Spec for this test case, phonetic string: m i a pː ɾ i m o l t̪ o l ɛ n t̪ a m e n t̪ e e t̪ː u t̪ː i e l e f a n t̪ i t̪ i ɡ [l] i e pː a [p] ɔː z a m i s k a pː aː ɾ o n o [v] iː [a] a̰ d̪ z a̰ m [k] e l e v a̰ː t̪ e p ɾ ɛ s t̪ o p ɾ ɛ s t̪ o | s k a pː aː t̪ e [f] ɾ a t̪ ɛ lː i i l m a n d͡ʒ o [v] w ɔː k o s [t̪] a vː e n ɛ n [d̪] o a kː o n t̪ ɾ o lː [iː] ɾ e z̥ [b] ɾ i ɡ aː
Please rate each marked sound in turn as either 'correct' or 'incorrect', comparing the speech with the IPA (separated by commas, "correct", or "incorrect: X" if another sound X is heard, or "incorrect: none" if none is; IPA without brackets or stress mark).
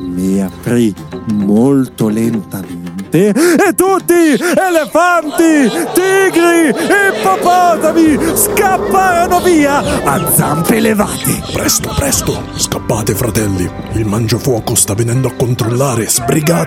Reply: incorrect: ɾ, correct, correct, correct, incorrect: p, correct, incorrect: f, correct, correct, incorrect: aː, correct